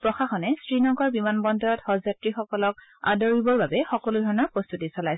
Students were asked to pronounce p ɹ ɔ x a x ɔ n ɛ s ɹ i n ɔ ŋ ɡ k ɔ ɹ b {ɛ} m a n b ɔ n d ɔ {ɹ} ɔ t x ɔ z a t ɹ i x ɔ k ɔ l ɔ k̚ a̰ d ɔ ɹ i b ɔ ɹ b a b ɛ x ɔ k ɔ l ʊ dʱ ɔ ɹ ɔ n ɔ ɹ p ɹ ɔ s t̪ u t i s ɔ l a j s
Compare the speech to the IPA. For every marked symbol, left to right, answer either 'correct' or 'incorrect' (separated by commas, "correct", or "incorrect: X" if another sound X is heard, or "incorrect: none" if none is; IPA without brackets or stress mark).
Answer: incorrect: i, correct